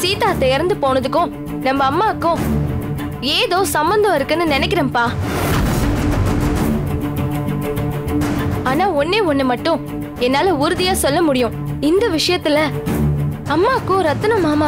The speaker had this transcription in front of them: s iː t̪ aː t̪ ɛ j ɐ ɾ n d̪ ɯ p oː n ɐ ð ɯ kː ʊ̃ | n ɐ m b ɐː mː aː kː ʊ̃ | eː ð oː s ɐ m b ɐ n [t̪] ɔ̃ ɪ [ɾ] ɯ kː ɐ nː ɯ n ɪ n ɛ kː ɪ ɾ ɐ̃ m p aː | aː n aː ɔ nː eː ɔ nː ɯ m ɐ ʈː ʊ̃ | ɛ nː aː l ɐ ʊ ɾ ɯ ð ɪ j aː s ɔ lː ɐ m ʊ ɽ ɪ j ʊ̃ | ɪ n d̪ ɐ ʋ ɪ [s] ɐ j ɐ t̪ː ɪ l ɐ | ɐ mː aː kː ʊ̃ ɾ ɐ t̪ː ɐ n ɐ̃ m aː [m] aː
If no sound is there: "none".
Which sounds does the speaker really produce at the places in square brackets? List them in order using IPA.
d̪, ɾ, ʂ, m

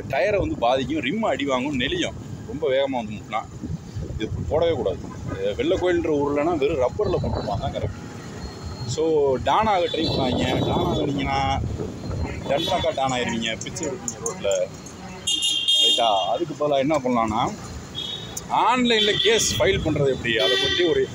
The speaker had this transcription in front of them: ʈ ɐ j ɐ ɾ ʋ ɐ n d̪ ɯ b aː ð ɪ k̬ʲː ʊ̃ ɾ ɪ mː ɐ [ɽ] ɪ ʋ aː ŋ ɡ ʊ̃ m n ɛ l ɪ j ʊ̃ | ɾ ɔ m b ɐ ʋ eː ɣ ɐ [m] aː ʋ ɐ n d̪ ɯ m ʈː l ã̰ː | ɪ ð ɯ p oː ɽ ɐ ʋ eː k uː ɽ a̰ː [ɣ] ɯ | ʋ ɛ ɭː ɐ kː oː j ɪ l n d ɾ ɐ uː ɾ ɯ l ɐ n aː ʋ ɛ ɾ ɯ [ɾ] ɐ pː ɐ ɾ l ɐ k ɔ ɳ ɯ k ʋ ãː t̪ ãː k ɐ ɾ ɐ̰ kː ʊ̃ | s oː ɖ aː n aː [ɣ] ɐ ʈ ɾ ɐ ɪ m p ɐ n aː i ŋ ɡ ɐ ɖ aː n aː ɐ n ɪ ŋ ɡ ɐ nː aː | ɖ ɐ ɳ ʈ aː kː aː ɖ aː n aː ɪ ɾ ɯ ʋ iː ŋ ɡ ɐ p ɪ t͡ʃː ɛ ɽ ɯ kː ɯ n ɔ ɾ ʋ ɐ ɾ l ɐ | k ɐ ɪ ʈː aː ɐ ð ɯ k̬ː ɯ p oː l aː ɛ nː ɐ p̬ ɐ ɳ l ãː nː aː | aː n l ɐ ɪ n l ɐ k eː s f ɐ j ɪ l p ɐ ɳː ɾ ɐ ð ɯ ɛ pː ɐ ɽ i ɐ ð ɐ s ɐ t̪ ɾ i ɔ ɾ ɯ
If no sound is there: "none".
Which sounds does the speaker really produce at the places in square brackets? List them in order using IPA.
ɽ, m, ð, ɾ, ɣ

